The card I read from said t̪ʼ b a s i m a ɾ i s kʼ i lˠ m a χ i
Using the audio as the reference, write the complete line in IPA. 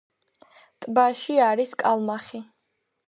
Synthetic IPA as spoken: t̪ʼ b a ʃ i a ɾ i s kʼ a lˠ m a χ i